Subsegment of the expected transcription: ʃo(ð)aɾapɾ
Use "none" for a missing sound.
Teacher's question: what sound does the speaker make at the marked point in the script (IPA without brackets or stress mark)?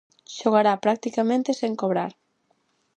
ɣ